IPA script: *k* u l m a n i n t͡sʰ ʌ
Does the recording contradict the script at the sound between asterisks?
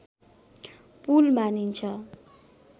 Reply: yes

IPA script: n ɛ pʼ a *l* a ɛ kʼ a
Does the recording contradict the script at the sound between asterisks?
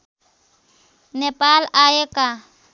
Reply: no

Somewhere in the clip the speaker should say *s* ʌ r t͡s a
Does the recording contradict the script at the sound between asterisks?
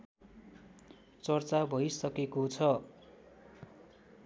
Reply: yes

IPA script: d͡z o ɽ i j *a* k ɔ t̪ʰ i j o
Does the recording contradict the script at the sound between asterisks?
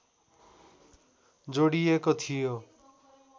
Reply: yes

